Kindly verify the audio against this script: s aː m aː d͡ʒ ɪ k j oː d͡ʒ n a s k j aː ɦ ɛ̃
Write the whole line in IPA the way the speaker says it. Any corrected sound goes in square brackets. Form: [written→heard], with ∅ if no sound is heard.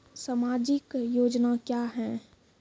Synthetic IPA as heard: s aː m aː d͡ʒ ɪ k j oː d͡ʒ n a [s→∅] k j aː ɦ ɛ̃